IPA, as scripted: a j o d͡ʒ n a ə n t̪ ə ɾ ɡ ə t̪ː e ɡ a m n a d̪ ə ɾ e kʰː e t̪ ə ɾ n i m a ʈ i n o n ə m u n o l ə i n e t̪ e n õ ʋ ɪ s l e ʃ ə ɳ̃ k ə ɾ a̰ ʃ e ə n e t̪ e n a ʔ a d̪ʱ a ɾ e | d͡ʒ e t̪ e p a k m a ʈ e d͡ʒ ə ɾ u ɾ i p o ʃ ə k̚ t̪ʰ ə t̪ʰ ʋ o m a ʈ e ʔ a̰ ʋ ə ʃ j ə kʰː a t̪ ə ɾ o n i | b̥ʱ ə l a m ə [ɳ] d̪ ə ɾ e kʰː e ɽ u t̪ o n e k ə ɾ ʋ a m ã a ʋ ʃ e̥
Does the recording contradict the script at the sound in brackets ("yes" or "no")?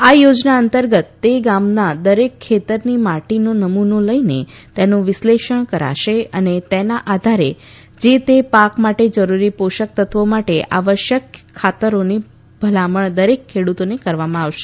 no